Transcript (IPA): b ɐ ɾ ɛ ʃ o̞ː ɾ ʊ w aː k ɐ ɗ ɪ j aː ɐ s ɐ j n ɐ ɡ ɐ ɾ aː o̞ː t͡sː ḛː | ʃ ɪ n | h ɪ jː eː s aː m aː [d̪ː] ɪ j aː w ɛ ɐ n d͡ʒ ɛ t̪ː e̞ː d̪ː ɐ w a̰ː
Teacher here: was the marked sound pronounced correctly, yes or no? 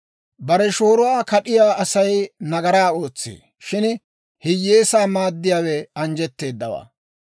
yes